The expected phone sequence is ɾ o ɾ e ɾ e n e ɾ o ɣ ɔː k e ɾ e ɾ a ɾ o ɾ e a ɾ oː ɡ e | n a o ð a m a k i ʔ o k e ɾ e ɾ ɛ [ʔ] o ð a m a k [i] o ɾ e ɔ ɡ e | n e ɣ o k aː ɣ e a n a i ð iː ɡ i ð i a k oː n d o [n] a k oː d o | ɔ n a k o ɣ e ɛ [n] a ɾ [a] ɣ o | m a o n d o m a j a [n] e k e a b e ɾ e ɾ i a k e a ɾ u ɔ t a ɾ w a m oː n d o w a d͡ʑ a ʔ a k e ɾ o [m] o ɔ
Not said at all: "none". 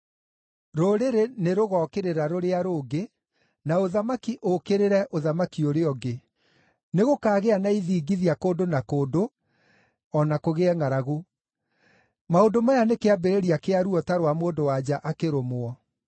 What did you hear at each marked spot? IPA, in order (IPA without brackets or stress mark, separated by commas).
ʔ, i, n, ŋ, a, n, m